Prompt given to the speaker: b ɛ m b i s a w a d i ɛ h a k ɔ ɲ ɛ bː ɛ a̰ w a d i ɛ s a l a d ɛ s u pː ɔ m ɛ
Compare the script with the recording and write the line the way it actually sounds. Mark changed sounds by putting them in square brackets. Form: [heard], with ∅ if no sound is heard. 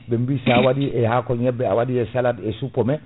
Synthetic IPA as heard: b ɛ m b i s a w a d i ɛ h a k ɔ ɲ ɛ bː ɛ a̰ w a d i ɛ s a l a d ɛ s u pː ɔ m ɛ